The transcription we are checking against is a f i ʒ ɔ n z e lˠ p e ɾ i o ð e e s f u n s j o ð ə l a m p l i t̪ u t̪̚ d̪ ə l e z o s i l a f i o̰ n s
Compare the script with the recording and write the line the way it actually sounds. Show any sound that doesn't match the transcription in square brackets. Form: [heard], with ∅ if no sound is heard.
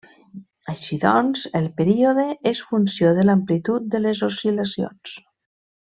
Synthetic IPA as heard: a [ʃ] i [ð] ɔ n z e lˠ p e ɾ i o ð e e s f u n s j o ð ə l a m p l i t̪ u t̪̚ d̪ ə l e z o s i l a [s] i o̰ n s